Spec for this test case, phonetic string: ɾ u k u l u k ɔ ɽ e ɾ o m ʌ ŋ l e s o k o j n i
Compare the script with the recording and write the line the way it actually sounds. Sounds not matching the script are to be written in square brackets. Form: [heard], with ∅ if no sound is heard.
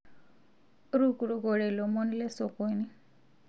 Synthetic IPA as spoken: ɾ u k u [ɾ] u [ɡ] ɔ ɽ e [l] o m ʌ [n] l e s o k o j n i